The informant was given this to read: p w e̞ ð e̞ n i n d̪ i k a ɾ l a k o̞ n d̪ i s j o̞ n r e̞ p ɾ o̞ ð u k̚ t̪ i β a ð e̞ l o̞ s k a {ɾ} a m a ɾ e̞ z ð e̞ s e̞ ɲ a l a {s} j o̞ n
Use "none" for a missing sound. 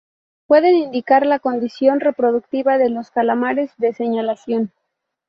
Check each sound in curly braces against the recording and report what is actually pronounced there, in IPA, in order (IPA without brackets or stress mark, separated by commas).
l, s